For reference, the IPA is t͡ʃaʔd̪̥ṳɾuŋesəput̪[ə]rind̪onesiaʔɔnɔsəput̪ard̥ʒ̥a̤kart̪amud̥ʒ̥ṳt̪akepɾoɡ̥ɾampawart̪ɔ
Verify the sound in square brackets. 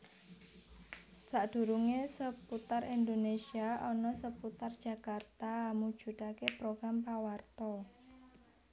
incorrect: a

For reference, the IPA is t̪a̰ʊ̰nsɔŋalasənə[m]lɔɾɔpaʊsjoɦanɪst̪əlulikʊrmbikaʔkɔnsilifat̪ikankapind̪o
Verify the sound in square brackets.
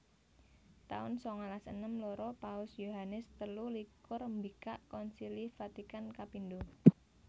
correct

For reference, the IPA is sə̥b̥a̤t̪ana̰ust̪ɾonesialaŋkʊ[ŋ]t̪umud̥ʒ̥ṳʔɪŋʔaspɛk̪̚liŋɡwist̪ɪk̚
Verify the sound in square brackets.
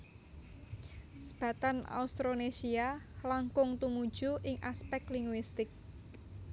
correct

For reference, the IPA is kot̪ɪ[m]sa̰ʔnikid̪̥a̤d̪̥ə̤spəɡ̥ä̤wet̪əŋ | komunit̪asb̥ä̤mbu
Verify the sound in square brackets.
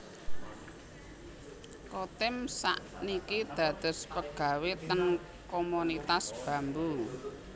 correct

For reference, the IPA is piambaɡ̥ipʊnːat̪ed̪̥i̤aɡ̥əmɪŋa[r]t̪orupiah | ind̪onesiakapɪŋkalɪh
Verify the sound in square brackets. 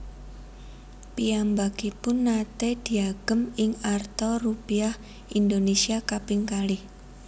correct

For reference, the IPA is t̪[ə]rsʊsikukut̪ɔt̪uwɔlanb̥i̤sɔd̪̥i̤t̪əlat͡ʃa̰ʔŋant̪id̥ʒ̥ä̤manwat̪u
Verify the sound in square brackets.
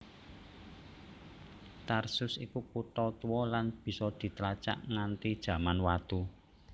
incorrect: a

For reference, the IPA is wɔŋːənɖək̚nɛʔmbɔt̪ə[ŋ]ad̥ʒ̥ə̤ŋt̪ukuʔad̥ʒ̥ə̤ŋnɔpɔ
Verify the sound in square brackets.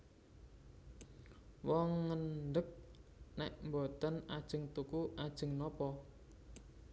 incorrect: n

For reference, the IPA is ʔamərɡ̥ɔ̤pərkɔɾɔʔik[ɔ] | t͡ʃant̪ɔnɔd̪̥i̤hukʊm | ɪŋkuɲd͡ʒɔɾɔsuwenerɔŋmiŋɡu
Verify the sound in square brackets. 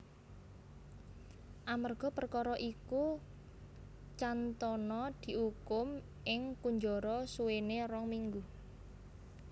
incorrect: u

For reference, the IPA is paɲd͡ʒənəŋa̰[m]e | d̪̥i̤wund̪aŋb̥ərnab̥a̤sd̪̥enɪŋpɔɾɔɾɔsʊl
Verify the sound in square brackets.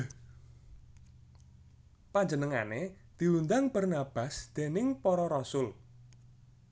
incorrect: n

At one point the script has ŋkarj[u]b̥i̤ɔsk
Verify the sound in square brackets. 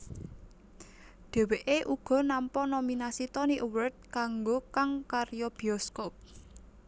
incorrect: ɔ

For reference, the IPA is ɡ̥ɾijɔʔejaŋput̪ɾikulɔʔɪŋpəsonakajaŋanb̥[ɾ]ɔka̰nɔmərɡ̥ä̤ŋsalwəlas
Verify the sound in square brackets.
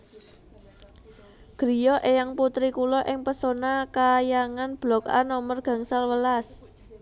incorrect: l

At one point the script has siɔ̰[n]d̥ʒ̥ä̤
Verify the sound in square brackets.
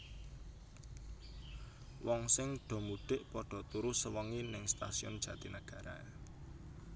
correct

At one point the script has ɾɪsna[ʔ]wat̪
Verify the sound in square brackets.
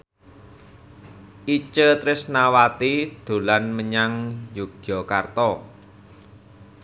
incorrect: none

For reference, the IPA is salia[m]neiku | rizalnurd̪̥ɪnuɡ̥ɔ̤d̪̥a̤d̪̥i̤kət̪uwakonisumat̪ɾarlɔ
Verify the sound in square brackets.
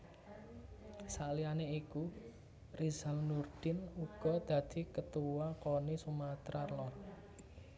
incorrect: none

